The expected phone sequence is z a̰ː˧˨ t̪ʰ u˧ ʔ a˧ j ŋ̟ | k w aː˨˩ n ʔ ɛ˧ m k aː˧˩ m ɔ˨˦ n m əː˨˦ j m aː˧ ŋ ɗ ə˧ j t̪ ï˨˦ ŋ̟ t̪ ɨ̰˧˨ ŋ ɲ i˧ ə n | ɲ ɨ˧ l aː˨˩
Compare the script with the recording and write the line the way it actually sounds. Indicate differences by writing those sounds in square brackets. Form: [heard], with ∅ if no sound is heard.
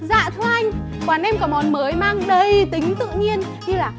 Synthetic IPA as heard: z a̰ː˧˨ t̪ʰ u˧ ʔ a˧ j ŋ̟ | k w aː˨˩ n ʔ ɛ˧ m k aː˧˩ m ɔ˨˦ n m əː˨˦ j m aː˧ ŋ ɗ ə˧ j t̪ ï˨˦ ŋ̟ t̪ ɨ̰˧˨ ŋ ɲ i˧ ə n | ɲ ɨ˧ l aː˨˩